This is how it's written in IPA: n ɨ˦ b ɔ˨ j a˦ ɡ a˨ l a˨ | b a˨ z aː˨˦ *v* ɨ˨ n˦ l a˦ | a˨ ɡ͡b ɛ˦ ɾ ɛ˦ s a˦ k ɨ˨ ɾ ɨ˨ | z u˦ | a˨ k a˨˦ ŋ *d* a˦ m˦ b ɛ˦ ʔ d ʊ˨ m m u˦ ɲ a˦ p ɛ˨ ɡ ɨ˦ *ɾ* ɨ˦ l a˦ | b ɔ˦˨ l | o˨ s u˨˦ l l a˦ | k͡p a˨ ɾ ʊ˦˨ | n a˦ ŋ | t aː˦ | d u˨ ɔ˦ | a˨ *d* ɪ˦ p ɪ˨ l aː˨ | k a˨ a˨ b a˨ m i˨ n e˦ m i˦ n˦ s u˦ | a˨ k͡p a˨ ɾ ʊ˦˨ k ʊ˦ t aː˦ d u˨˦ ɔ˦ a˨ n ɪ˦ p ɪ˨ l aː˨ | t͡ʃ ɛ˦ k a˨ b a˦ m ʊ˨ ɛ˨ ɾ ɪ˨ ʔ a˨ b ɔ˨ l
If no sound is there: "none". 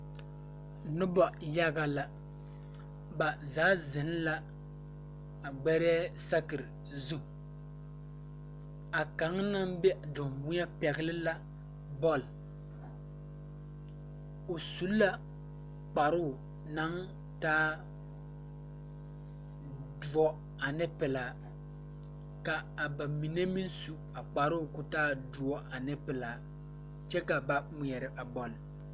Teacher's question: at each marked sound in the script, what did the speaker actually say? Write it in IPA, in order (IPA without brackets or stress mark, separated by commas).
z, n, l, n